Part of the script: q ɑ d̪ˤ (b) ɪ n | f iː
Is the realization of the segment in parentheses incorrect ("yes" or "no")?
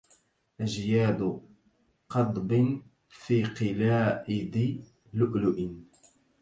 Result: no